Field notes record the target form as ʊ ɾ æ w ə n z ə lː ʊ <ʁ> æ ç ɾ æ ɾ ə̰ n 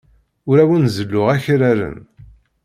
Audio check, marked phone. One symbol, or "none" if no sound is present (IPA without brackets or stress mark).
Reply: ʁ